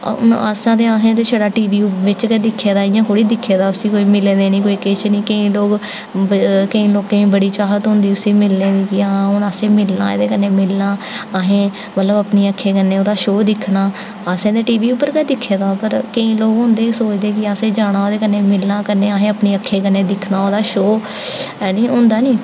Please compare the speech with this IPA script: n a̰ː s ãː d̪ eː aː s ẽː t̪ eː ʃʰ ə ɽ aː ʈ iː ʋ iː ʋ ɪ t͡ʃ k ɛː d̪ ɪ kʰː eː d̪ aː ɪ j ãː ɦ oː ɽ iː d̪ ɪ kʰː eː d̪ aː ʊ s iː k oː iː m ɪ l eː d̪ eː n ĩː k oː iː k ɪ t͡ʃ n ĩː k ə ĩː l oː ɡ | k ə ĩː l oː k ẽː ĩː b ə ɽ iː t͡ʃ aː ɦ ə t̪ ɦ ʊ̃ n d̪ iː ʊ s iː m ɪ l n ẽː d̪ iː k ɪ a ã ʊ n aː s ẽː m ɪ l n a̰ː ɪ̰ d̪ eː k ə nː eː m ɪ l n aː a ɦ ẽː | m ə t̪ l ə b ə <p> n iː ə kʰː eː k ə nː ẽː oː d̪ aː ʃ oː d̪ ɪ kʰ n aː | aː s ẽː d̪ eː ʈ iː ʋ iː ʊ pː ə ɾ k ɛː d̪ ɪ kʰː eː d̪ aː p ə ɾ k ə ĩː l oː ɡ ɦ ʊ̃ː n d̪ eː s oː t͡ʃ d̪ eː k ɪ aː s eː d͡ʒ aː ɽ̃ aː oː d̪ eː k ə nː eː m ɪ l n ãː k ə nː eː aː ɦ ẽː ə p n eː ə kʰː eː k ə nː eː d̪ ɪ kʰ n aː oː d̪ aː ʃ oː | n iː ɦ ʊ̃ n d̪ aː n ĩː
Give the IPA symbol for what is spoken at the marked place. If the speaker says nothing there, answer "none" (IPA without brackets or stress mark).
p